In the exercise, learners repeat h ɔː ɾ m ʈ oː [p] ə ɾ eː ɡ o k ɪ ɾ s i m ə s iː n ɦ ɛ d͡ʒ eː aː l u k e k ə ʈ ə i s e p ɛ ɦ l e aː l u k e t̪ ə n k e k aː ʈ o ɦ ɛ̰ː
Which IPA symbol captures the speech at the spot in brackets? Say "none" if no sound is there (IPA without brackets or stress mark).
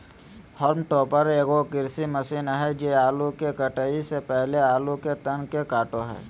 p